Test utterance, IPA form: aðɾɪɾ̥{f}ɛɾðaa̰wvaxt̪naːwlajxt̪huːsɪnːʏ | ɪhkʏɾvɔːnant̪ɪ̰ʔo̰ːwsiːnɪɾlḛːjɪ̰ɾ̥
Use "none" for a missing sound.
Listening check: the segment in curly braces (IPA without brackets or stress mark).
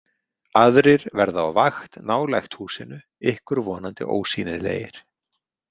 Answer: v